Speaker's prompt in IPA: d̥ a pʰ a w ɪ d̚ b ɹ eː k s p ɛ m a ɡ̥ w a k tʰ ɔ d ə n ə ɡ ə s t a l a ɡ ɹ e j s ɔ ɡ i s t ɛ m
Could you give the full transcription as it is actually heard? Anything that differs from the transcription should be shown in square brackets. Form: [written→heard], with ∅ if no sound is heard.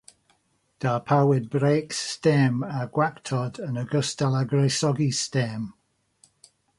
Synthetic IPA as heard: d̥ a pʰ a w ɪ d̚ b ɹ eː k s [p→t] ɛ m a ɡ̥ w a k tʰ ɔ d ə n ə ɡ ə s t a l a ɡ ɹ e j s ɔ ɡ i s t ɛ m